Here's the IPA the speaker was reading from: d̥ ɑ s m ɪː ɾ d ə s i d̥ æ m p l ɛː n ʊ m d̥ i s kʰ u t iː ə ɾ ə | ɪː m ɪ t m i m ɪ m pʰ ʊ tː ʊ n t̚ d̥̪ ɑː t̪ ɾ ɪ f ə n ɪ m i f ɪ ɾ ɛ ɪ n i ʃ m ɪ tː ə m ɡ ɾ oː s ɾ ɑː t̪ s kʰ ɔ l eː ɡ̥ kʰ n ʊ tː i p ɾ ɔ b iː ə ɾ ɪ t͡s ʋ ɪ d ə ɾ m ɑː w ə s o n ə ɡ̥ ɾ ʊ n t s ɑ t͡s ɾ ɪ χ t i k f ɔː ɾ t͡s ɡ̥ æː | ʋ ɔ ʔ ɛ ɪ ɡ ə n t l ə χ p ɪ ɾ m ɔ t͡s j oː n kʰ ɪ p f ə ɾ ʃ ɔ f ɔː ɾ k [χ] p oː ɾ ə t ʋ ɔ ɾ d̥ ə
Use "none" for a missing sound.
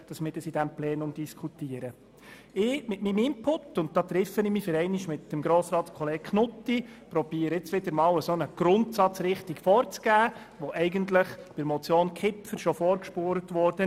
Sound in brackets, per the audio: ʃ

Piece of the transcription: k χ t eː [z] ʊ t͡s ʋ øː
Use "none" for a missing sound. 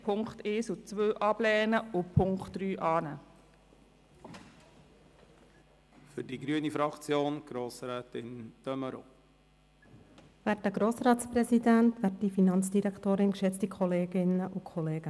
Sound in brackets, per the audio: s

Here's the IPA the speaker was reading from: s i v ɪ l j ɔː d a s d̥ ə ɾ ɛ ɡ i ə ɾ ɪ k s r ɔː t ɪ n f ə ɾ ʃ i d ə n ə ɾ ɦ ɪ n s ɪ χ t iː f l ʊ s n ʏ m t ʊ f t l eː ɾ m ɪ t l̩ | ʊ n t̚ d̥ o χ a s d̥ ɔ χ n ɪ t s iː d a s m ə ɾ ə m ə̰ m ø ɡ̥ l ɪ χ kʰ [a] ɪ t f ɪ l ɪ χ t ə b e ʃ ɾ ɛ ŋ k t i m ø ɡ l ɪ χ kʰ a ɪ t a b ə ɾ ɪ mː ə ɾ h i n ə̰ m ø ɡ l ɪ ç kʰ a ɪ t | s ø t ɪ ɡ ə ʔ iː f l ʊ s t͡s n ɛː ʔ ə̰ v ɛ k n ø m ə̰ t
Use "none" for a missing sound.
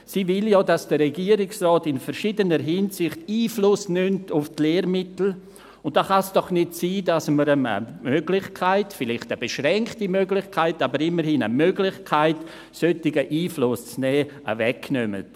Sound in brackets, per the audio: a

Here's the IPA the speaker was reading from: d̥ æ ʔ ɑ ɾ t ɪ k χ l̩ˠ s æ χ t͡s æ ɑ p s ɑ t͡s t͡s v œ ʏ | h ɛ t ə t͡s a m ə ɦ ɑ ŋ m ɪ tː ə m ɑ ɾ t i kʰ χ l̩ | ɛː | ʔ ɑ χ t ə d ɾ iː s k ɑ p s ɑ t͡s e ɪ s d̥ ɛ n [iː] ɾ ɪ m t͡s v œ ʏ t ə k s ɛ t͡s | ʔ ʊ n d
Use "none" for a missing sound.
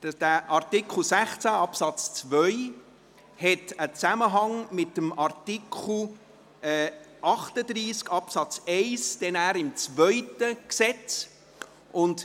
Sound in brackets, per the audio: æː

